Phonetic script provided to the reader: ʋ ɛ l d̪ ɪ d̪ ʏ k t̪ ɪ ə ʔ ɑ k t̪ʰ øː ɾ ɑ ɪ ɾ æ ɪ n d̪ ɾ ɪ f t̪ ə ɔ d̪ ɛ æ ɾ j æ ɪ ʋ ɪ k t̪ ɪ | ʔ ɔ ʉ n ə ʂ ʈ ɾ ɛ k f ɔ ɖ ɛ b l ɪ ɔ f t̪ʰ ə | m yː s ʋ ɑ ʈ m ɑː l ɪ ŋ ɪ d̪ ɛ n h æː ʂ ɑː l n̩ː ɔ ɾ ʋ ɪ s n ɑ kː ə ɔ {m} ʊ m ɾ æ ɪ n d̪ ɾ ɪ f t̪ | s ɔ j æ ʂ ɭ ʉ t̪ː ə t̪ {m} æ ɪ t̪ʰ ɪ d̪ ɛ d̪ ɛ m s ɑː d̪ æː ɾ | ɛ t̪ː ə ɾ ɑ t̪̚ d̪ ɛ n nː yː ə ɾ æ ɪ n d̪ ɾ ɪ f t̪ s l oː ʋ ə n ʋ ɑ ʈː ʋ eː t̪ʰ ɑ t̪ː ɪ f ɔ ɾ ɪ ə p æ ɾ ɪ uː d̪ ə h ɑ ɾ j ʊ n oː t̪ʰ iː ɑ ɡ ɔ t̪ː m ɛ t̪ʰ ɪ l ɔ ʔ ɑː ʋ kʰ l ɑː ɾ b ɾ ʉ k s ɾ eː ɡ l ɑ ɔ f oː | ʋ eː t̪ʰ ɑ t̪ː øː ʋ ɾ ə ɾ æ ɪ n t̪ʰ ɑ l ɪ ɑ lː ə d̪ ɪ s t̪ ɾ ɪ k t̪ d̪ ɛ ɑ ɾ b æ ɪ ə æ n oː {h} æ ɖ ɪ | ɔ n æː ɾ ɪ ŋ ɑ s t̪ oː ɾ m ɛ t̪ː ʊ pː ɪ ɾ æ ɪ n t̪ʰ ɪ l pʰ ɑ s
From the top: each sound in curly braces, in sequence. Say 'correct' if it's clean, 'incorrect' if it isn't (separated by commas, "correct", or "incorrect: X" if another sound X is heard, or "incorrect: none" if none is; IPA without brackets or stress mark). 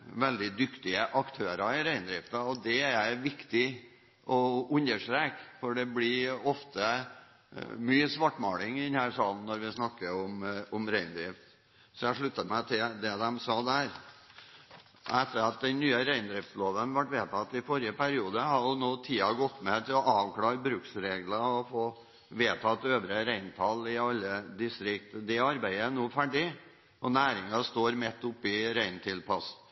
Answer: correct, correct, incorrect: f